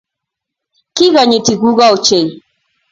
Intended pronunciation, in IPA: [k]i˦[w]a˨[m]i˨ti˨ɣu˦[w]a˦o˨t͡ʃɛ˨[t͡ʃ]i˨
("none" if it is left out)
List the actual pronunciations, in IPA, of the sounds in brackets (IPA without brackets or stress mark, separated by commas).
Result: k, ɣ, ɲ, ɣ, none